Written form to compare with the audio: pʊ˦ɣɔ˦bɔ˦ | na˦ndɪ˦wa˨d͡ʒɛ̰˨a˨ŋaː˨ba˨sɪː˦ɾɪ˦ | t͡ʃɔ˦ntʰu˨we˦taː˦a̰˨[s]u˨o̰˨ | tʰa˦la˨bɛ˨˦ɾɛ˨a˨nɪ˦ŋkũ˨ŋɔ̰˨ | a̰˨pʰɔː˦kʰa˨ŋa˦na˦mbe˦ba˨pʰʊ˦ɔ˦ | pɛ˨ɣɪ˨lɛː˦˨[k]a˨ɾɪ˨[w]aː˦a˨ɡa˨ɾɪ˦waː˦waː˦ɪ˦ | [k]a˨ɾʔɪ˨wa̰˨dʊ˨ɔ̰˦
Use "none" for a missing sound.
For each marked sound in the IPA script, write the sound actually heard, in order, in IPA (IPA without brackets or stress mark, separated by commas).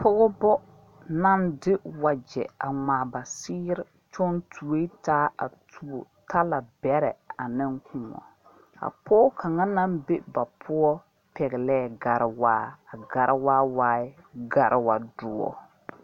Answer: t, ɡ, w, ɡ